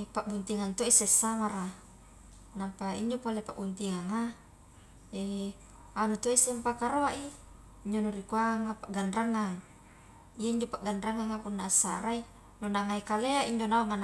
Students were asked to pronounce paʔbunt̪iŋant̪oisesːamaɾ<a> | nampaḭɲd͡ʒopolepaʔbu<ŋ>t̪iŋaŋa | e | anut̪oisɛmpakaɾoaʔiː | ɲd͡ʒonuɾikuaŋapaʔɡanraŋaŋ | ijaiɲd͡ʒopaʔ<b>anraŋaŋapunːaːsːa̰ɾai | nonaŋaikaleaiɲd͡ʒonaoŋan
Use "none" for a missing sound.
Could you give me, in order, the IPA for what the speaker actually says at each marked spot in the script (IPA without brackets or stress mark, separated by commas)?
a, n, ɡ